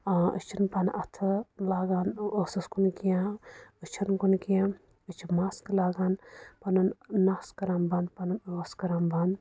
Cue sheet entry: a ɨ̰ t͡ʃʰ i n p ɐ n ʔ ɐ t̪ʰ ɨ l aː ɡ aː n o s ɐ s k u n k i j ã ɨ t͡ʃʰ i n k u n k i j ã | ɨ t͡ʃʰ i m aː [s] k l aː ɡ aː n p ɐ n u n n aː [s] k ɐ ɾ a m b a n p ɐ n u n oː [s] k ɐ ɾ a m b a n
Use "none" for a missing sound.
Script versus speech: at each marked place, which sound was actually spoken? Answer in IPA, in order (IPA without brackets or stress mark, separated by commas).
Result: s, s, s